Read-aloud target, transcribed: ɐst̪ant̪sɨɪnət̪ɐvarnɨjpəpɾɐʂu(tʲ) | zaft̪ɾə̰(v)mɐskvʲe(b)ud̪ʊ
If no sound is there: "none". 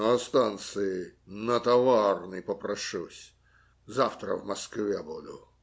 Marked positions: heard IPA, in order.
sʲ, v, b

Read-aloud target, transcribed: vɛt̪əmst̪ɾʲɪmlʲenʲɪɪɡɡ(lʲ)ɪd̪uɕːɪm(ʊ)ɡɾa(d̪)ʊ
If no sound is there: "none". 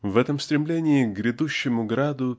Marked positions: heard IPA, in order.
ɾʲ, ʊ, d̪

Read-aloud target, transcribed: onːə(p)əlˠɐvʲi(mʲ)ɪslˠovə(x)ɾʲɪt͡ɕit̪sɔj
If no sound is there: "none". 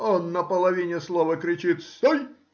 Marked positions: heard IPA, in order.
p, nʲ, k

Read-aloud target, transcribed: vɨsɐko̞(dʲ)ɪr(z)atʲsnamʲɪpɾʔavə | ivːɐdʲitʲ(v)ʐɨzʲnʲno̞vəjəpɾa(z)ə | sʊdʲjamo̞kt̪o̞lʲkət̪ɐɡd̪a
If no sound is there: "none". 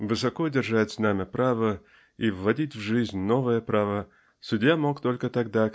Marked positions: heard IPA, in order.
dʲ, ʐ, v, v

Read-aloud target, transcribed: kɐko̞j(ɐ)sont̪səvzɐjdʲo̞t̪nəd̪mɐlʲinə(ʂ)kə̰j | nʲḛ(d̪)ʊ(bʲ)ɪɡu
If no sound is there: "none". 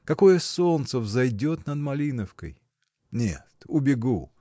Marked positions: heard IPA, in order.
ə, f, t̪, bʲ

